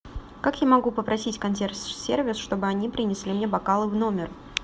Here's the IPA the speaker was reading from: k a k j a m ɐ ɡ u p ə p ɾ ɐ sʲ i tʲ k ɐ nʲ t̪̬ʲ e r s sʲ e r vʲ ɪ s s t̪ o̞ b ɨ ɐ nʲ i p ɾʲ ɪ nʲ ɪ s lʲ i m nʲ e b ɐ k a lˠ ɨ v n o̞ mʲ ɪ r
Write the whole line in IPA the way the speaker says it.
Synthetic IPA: k a k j a m ɐ ɡ u p ə p ɾ ɐ sʲ i tʲ k ɐ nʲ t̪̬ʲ e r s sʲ e r vʲ ɪ s ʂ t̪ o̞ b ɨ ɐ nʲ i p ɾʲ ɪ nʲ ɪ s lʲ i m nʲ e b ɐ k a lˠ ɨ v n o̞ mʲ ɪ r